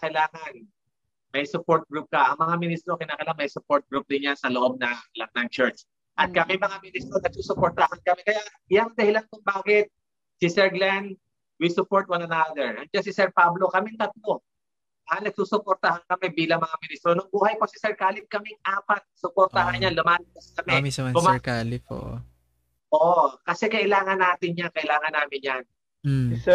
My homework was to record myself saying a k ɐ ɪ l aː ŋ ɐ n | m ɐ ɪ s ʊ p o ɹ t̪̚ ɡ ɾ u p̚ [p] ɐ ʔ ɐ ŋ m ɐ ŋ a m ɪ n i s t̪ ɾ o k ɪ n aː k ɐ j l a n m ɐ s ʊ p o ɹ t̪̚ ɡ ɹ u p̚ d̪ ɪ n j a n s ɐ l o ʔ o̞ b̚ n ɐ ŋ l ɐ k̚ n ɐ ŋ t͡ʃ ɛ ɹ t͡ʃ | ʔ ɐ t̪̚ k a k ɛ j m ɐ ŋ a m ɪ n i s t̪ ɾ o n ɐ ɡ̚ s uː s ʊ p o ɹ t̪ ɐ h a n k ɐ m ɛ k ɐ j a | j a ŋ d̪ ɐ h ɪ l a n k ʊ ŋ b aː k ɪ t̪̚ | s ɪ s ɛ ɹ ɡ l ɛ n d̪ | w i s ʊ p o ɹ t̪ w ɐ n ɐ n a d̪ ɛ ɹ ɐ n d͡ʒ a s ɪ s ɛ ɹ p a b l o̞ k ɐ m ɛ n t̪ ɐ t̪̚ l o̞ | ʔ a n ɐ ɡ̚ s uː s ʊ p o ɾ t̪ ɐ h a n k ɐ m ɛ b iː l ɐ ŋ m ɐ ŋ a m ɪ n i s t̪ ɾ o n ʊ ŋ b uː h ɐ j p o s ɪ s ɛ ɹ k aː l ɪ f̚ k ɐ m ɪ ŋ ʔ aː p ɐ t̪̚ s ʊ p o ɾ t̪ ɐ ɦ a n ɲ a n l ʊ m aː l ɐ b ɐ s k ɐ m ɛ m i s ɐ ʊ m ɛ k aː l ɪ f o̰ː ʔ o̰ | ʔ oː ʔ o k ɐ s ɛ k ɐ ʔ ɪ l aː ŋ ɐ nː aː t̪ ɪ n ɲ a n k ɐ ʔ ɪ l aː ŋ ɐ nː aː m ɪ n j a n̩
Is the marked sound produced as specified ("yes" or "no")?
no